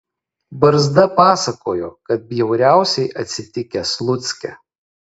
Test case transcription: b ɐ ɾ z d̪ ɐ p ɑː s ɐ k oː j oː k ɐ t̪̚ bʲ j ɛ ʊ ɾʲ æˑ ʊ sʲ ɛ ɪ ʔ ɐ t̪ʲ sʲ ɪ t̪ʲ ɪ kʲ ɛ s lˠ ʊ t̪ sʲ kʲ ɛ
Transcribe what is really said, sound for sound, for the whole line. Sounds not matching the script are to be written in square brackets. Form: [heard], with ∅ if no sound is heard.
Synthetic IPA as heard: b ɐ ɾ z d̪ ɐ p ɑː s ɐ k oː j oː k ɐ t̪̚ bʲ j ɛ ʊ ɾʲ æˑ ʊ sʲ ɛ ɪ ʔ ɐ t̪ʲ sʲ ɪ t̪ʲ ɪ kʲ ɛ s lˠ ʊ t̪ sʲ kʲ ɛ